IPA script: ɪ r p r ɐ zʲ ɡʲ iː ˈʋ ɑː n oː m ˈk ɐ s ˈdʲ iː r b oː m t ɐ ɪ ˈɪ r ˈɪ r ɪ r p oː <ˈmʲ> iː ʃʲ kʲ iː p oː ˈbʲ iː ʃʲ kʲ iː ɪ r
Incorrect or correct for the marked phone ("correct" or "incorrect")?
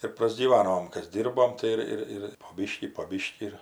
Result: incorrect